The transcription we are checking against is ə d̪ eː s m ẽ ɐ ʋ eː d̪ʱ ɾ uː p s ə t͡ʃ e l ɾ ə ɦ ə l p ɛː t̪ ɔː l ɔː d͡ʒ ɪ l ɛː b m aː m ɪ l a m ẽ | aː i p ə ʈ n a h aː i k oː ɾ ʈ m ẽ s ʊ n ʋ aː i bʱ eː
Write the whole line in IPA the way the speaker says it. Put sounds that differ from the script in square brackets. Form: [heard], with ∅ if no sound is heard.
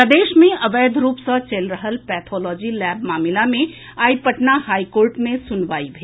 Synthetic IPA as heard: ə d̪ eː [ʃ] m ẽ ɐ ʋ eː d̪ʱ ɾ uː p s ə t͡ʃ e l ɾ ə ɦ ə l p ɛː [t̪ʰ] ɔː l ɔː d͡ʒ [i] l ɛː b m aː m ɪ l a m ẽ | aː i p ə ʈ n a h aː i k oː ɾ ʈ m ẽ s ʊ n ʋ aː i bʱ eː